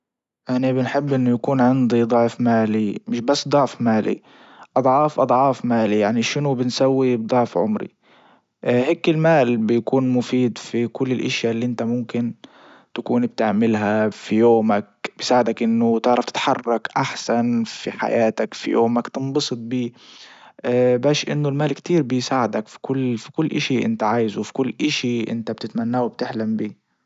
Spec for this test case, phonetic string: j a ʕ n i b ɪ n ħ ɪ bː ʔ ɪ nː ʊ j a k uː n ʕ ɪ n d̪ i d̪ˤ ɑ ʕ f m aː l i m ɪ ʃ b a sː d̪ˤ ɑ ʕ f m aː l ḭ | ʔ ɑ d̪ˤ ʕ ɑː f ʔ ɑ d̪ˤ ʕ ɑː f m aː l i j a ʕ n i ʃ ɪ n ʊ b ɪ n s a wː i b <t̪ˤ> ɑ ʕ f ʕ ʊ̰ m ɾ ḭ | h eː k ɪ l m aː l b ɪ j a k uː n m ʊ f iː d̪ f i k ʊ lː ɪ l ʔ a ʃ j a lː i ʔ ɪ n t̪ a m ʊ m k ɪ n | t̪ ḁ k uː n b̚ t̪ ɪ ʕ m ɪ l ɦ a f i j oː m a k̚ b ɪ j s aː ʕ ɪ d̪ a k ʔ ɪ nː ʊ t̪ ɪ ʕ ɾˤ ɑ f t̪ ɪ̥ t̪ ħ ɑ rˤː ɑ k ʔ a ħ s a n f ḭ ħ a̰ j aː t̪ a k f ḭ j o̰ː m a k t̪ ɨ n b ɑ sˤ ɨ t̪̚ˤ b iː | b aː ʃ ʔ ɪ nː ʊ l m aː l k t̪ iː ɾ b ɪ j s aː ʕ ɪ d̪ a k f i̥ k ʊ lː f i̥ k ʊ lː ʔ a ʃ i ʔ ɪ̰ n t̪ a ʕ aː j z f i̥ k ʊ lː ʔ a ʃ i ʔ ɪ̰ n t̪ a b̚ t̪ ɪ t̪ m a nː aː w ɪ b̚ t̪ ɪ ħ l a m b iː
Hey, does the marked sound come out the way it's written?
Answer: no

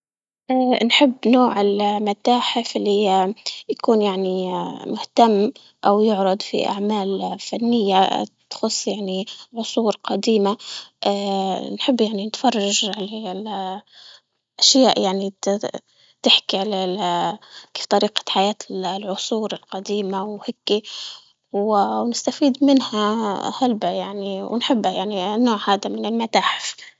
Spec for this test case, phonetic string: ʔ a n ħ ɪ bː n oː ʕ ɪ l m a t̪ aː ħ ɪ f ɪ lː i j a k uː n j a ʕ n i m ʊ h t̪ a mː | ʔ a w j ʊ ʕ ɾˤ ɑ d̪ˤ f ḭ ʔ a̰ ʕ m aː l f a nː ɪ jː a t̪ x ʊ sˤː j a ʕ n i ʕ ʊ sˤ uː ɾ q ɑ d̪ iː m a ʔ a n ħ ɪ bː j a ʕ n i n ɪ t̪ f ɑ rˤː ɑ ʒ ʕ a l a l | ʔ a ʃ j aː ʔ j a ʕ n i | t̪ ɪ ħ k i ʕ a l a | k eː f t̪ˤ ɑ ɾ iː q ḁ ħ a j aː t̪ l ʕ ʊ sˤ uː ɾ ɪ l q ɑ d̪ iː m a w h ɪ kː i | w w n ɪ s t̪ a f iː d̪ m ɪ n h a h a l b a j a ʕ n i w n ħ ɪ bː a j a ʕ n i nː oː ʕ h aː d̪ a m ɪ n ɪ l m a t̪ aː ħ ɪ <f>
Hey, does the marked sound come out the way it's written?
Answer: yes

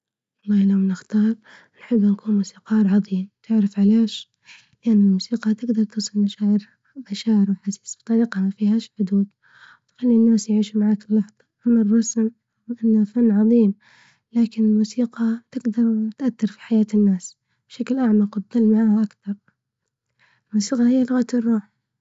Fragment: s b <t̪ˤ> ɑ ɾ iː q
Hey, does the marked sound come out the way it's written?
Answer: yes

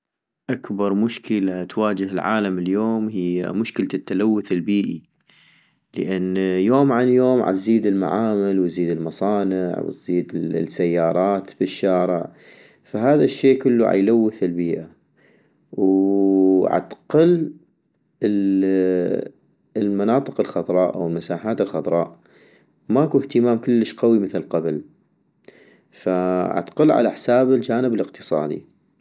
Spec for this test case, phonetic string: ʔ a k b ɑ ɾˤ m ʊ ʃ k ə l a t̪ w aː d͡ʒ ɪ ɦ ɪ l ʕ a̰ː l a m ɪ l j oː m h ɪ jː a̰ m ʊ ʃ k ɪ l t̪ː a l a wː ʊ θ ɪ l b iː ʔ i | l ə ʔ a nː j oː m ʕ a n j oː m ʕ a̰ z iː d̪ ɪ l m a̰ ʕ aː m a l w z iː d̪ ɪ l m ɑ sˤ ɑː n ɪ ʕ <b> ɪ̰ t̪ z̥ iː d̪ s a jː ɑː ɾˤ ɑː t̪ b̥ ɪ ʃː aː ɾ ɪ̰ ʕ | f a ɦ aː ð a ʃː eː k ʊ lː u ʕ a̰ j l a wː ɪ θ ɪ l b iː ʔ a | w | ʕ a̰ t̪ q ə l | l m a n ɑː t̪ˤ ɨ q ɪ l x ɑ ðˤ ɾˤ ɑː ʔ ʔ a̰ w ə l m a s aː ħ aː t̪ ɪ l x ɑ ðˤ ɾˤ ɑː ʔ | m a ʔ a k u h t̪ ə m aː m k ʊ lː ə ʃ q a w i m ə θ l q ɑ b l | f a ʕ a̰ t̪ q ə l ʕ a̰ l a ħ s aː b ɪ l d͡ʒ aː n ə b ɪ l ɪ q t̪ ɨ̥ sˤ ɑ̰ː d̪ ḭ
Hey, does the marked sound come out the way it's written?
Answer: no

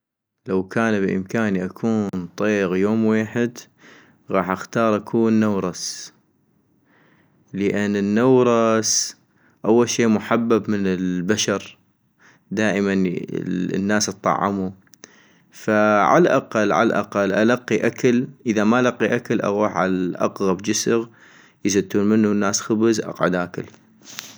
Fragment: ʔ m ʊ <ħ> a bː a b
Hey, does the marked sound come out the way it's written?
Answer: yes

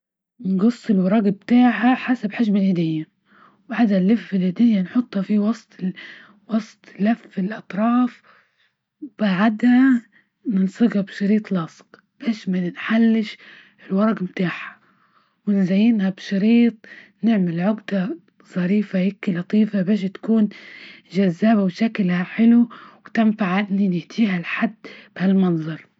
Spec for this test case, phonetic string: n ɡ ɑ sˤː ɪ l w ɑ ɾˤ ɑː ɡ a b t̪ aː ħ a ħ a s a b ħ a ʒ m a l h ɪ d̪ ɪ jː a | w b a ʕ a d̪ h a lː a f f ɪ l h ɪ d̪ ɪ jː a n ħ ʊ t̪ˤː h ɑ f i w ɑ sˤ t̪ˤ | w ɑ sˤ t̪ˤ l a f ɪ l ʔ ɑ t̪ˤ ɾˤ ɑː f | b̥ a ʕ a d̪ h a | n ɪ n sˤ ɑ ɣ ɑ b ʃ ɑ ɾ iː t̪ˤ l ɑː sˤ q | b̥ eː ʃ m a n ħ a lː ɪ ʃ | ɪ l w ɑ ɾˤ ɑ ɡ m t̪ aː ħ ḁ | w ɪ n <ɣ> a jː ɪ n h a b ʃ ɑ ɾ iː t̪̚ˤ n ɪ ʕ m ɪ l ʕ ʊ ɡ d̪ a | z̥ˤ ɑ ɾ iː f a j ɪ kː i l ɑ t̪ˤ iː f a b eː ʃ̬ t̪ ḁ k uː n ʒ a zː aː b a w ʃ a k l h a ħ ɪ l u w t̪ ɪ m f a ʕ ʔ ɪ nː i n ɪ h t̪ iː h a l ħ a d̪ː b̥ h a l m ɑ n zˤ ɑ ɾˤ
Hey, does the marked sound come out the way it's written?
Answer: no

